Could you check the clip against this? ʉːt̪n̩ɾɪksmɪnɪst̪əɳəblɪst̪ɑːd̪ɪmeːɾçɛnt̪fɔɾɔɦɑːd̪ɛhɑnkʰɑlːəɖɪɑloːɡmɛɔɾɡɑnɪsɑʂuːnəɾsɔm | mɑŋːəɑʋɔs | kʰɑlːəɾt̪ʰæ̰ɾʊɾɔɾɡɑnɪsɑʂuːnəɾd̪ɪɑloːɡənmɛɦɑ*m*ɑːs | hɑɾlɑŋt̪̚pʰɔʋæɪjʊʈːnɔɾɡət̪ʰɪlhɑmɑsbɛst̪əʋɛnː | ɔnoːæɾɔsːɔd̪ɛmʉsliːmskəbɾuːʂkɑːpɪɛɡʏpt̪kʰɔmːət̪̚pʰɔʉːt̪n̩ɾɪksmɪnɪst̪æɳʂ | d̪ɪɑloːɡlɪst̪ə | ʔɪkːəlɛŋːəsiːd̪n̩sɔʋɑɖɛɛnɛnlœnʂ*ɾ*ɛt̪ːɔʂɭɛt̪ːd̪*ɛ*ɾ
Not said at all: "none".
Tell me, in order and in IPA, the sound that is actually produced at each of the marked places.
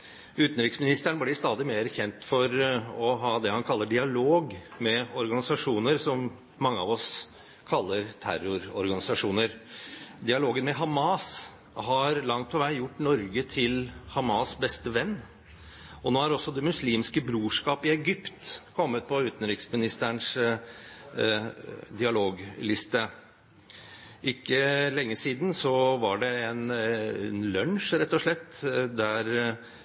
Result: m, ɾ, æ

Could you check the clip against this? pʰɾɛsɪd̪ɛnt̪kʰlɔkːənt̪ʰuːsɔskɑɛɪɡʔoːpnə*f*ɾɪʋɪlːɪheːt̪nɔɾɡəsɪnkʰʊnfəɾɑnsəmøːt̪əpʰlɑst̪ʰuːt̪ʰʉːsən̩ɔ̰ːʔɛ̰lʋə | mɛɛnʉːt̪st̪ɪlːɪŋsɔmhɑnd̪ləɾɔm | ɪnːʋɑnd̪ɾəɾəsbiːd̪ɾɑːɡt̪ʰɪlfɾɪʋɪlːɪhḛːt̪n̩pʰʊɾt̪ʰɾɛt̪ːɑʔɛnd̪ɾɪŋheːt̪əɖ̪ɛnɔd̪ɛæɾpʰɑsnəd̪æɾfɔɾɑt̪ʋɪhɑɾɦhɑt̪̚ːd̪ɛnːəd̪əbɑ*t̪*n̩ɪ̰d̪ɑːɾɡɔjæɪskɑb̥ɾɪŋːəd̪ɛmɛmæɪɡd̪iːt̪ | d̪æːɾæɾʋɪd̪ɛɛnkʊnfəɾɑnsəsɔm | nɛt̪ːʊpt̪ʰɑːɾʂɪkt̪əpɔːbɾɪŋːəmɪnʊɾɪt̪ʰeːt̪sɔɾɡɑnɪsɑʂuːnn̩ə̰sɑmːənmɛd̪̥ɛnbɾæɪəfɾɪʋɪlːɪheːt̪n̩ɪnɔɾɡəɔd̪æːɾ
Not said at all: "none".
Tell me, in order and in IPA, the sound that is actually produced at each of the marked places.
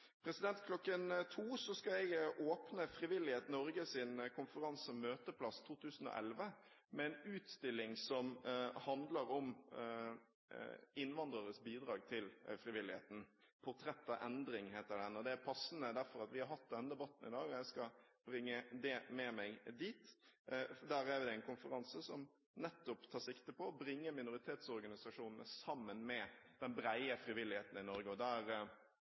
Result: f, t̪

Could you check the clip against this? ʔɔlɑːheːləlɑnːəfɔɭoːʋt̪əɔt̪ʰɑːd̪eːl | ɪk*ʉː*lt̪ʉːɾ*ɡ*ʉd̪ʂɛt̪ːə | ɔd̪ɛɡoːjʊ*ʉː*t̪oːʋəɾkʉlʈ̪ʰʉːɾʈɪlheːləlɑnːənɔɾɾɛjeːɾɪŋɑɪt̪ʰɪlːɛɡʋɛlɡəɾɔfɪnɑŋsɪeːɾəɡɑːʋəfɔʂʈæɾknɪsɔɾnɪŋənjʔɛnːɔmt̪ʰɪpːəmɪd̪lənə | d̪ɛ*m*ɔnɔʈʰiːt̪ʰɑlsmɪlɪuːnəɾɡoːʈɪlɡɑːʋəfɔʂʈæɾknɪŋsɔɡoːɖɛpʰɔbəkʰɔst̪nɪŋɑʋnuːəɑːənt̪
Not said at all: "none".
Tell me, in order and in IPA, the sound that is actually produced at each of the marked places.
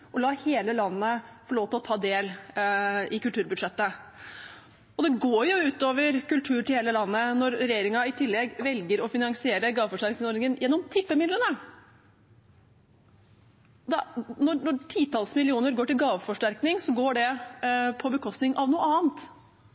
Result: ʉ, b, ʉː, n

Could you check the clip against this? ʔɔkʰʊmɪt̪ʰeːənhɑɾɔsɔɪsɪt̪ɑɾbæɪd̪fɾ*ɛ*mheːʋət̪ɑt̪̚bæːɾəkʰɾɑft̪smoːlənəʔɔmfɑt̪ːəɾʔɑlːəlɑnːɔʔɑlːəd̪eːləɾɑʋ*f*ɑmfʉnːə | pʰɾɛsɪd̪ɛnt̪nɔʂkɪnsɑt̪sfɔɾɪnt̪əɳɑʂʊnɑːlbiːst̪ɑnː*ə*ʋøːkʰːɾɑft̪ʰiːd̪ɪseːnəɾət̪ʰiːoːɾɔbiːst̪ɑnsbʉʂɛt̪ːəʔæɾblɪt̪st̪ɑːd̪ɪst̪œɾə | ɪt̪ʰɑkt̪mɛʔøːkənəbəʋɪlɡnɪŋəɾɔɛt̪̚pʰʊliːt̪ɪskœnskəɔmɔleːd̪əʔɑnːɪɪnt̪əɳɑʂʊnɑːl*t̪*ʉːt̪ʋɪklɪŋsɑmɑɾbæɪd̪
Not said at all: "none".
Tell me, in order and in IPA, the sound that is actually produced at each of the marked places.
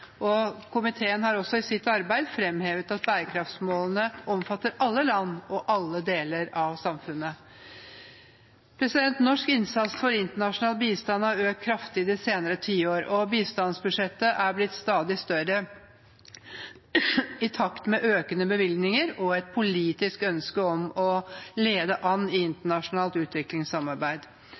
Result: ɛ, s, ɑ, t̪

